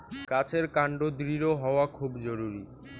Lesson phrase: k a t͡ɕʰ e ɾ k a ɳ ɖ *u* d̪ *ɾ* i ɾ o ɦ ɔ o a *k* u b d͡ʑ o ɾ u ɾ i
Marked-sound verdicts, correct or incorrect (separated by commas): incorrect, correct, incorrect